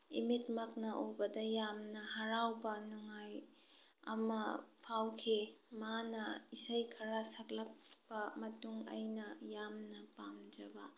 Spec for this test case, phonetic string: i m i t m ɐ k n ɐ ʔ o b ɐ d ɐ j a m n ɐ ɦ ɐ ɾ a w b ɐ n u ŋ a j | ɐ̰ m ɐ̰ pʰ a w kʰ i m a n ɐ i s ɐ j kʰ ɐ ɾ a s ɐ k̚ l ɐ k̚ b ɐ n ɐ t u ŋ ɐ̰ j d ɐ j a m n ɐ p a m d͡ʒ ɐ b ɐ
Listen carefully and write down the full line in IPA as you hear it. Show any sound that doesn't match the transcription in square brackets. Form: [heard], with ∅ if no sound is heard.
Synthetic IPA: i m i t m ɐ k n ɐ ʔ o b ɐ d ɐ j a m n ɐ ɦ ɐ ɾ a w b ɐ n u ŋ a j | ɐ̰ m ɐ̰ pʰ a w kʰ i m a n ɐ i s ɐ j kʰ ɐ ɾ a s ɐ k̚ l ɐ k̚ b ɐ [m] ɐ t u ŋ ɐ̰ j [n] ɐ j a m n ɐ p a m d͡ʒ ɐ b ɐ